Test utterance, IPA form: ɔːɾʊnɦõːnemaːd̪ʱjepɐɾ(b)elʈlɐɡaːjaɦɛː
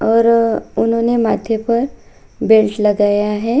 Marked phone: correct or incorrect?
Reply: correct